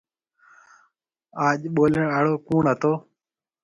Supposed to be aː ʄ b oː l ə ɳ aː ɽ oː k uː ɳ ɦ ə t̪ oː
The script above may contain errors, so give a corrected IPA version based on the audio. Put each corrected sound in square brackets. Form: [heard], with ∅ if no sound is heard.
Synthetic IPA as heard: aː ʄ [ɓ] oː l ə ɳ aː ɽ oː k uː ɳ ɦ ə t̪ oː